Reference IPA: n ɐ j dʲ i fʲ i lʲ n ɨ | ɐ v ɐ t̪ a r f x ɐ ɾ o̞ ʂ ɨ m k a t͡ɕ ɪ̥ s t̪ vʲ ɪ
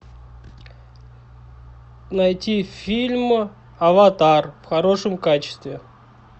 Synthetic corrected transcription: n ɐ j tʲ i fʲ i lʲ m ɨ | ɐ v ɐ t̪ a r f x ɐ ɾ o̞ ʂ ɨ m k a t͡ɕ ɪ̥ s t̪ vʲ ɪ